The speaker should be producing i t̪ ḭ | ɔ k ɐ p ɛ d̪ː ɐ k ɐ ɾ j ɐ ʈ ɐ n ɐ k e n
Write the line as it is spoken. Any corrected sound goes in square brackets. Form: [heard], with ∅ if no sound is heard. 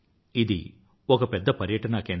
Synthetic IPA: i [d̪] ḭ | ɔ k ɐ p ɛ d̪ː ɐ [p] ɐ ɾ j ɐ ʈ ɐ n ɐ k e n